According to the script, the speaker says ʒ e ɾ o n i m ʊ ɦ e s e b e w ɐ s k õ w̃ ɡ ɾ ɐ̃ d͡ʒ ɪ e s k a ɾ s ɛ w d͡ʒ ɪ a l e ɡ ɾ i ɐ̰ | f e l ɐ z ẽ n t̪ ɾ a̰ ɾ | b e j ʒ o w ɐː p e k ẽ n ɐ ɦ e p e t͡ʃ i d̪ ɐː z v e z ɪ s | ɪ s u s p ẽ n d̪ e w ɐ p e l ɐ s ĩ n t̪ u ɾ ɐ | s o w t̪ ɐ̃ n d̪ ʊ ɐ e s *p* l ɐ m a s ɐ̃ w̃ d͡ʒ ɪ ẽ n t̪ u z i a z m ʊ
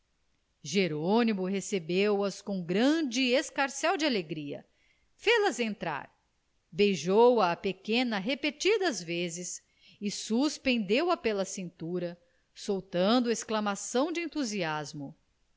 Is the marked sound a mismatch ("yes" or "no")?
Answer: yes